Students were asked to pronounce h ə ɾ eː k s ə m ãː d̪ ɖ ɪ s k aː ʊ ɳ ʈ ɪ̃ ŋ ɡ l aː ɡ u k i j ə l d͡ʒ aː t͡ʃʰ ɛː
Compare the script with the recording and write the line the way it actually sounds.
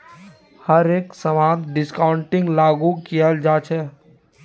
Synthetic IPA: h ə ɾ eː k s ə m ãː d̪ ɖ ɪ s k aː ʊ ɳ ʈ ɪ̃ ŋ ɡ l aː ɡ u k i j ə l d͡ʒ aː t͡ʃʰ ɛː